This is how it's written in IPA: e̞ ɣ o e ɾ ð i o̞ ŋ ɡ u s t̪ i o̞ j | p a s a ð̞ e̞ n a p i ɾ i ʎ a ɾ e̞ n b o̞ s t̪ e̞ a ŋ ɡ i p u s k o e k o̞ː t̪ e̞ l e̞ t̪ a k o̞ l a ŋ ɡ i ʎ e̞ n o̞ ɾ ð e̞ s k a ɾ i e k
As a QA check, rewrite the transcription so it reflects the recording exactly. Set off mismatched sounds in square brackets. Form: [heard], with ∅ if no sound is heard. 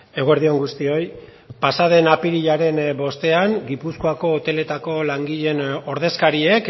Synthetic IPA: e̞ ɣ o e ɾ ð i o̞ ŋ ɡ u s t̪ i o̞ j | p a s a ð̞ e̞ n a p i ɾ i ʎ a ɾ e̞ n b o̞ s t̪ e̞ a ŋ ɡ i p u s k o [a] k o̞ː t̪ e̞ l e̞ t̪ a k o̞ l a ŋ ɡ i ʎ e̞ n o̞ ɾ ð e̞ s k a ɾ i e k